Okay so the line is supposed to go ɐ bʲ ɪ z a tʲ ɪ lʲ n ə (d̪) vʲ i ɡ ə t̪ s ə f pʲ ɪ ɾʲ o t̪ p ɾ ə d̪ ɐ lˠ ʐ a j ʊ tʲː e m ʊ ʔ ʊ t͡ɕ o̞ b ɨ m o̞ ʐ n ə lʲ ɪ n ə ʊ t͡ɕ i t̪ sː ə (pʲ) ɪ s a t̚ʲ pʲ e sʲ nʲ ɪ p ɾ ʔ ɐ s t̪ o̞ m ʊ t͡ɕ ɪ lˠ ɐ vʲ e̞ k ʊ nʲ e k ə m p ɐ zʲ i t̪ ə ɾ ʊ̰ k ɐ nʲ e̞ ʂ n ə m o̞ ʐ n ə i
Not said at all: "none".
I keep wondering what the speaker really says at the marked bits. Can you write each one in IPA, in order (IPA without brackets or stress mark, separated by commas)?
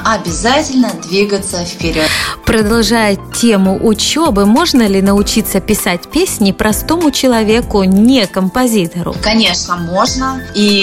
d̪, pʲ